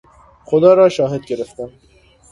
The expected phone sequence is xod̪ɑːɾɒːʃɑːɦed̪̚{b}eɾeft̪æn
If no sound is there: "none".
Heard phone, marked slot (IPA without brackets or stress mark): ɡ